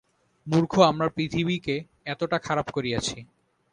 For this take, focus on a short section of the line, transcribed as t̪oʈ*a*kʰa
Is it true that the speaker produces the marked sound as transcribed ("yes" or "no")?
yes